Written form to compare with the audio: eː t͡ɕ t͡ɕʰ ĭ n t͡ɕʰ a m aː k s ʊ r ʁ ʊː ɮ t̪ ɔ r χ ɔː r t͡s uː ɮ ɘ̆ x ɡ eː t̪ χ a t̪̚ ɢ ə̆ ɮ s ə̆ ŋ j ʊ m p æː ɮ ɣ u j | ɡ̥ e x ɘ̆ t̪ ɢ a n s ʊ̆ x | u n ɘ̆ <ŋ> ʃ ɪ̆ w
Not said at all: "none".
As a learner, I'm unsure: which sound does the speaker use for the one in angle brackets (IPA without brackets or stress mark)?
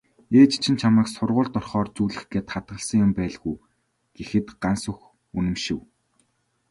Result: m